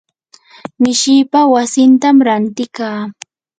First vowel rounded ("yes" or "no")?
no